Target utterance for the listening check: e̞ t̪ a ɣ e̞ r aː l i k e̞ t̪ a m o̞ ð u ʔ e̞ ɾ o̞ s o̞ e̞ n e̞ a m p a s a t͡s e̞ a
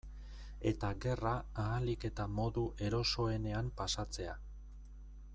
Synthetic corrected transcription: e̞ t̪ a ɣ e̞ r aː l i k e̞ t̪ a m o̞ ð u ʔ e̞ ɾ o̞ s o̞ e̞ n e̞ a m p a s a t͡s e̞ a

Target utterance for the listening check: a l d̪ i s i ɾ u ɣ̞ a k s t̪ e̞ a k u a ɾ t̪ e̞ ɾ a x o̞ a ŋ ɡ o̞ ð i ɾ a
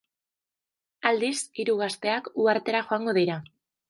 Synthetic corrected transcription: a l d̪ i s i ɾ u ɣ̞ a s t̪ e̞ a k u a ɾ t̪ e̞ ɾ a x o̞ a ŋ ɡ o̞ ð i ɾ a

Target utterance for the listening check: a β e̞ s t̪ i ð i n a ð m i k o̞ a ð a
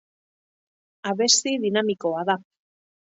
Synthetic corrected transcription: a β e̞ s t̪ i ð i n a m i k o̞ a ð a

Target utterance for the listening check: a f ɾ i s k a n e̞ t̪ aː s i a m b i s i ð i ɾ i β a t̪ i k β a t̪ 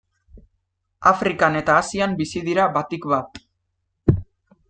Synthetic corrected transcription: a f ɾ i k a n e̞ t̪ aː s i a m b i s i ð i ɾ a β a t̪ i k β a t̪

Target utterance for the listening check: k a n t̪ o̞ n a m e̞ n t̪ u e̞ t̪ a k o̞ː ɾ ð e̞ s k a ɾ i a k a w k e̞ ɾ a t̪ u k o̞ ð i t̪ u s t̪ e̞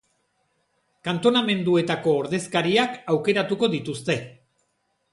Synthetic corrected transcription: k a n t̪ o̞ n a m e̞ n d̪ u e̞ t̪ a k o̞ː ɾ ð e̞ s k a ɾ i a k a w k e̞ ɾ a t̪ u k o̞ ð i t̪ u s t̪ e̞

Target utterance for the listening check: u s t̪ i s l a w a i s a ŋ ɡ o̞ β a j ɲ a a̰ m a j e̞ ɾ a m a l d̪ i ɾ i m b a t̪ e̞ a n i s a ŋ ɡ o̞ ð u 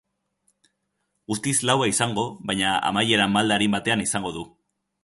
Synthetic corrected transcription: u s t̪ i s l a w a i s a ŋ ɡ o̞ β a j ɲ a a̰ m a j e̞ ɾ a m a l d̪ a ɾ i m b a t̪ e̞ a n i s a ŋ ɡ o̞ ð u

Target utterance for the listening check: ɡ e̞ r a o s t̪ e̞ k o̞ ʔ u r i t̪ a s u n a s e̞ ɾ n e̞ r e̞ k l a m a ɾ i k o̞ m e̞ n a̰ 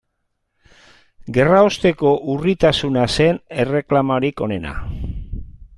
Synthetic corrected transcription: ɡ e̞ r a o s t̪ e̞ k o̞ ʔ u r i t̪ a s u n a s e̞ n e̞ r e̞ k l a m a ɾ i k o̞ n e̞ n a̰

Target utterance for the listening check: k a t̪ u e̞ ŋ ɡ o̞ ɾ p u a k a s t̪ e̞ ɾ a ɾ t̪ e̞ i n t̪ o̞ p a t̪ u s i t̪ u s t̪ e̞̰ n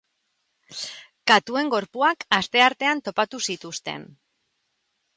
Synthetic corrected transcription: k a t̪ u e̞ ŋ ɡ o̞ ɾ p u a k a s t̪ e̞ a ɾ t̪ e̞ a n t̪ o̞ p a t̪ u s i t̪ u s t̪ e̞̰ n

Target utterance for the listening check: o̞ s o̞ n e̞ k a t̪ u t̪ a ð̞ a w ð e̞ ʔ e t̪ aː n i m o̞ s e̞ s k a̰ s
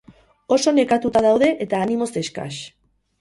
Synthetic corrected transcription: o̞ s o̞ n e̞ k a t̪ u t̪ a ð̞ a w ð e̞ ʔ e t̪ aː n i m o̞ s e̞ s k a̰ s

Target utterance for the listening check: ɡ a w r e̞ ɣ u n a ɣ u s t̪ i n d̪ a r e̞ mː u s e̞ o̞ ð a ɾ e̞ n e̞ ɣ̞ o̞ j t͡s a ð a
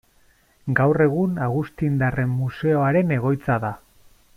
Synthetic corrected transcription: ɡ a w r e̞ ɣ u n a ɣ u s t̪ i n d̪ a r e̞ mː u s e̞ o̞ a ɾ e̞ n e̞ ɣ̞ o̞ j t͡s a ð a

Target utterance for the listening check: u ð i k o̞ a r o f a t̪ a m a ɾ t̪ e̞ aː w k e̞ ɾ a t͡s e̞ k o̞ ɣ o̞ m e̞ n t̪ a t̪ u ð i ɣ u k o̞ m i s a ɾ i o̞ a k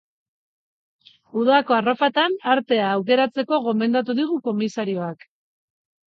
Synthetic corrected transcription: u ð a k o̞ a r o f a t̪ a n a ɾ t̪ e̞ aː w k e̞ ɾ a t͡s e̞ k o̞ ɣ o̞ m e̞ n d̪ a t̪ u ð i ɣ u k o̞ m i s a ɾ i o̞ a k

